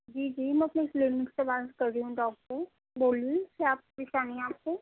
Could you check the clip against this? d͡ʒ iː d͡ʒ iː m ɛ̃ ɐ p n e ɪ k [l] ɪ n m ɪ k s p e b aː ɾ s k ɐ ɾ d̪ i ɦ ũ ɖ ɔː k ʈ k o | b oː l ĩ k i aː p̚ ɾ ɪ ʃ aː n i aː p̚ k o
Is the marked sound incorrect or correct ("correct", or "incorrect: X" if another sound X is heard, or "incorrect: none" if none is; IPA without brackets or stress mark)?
correct